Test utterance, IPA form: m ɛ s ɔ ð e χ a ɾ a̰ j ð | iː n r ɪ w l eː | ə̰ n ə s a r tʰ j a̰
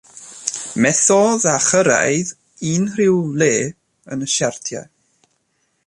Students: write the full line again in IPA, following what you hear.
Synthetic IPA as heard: m ɛ θ ɔ ð a χ ə ɾ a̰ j ð | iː n r ɪ w l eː | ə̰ n ə ʃ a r tʰ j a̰

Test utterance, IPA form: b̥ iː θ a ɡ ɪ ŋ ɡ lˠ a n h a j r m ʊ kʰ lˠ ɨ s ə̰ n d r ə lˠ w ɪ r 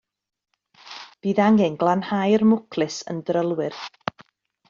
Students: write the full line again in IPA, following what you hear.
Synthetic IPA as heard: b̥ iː ð a ŋ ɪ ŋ ɡ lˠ a n h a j r m ʊ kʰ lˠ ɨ s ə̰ n d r ə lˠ w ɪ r

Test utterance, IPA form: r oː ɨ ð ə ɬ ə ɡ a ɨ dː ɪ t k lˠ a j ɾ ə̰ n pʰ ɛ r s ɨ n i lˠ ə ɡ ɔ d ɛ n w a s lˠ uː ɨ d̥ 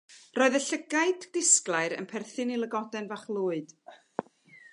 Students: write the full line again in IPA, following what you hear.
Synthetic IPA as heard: r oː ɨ ð ə ɬ ə ɡ a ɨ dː ɪ s k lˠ a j ɾ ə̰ n pʰ ɛ r θ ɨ n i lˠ ə ɡ ɔ d ɛ n v a χ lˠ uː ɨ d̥

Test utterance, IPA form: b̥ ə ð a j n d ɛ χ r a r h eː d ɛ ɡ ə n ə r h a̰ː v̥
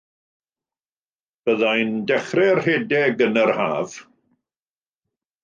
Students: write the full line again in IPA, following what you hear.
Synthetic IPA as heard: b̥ ə ð a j n d ɛ χ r ɛ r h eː d ɛ ɡ ə n ə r h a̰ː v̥

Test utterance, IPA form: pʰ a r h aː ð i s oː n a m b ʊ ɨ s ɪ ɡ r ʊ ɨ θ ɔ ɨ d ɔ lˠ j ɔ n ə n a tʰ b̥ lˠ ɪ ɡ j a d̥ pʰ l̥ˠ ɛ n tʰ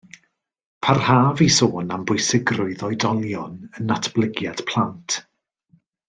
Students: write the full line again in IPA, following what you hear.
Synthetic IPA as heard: pʰ a r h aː v i s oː n a m b ʊ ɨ s ɪ ɡ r ʊ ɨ ð ɔ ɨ d ɔ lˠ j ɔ n ə n a tʰ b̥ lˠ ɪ ɡ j a d̥ pʰ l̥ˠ a n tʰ

